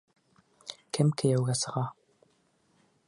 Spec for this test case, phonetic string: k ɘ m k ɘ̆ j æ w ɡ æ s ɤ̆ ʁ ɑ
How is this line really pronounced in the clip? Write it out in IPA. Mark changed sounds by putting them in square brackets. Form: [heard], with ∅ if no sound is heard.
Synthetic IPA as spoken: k ɘ m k ɘ̆ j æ w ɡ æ s ɤ̆ ʁ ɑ